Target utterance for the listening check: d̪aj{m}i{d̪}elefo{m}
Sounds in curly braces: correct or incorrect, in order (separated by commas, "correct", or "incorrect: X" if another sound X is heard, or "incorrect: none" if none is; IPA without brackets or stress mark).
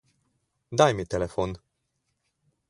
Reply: correct, incorrect: t̪, incorrect: n